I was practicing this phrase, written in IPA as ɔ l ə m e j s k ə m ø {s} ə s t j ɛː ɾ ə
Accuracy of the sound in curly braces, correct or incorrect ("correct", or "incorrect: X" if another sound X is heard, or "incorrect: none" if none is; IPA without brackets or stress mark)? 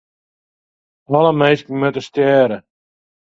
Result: incorrect: t